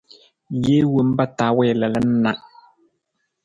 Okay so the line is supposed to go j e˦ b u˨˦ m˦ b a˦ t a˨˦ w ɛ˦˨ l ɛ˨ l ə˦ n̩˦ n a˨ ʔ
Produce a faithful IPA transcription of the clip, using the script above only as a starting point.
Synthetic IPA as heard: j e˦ w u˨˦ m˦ b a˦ t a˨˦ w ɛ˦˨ l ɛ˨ l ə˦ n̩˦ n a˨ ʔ